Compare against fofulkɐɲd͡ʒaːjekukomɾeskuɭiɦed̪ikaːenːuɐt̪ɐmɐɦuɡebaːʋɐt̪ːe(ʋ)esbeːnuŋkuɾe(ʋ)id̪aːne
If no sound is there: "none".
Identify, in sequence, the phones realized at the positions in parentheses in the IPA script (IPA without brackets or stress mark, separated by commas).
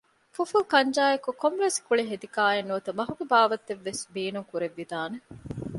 ʋː, ʋː